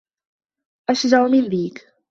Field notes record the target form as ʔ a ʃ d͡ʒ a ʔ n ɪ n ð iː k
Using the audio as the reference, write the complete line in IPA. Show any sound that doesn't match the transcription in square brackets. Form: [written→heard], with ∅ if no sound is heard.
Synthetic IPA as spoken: ʔ a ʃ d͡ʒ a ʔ [n→m] ɪ n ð iː k